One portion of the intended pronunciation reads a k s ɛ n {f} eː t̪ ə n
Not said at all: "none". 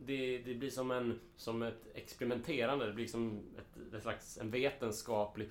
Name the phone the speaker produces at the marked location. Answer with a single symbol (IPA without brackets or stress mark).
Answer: v